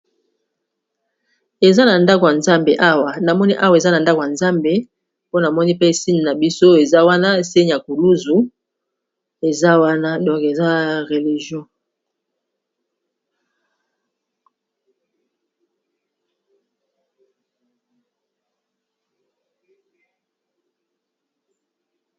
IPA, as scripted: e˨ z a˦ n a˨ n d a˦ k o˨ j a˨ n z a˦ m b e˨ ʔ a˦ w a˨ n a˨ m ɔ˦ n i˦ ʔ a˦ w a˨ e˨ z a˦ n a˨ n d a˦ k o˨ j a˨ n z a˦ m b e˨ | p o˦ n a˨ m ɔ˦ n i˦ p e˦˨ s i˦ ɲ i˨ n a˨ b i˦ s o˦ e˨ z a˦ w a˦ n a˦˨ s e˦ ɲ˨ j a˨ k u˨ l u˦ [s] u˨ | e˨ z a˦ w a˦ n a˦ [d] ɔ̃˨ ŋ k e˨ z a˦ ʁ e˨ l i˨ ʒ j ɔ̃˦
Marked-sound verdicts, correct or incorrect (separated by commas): incorrect, correct